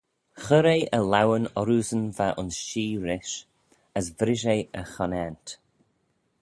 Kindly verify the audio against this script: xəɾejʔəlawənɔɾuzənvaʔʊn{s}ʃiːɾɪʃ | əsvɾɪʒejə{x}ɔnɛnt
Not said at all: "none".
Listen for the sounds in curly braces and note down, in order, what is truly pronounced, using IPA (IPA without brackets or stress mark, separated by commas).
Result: s, x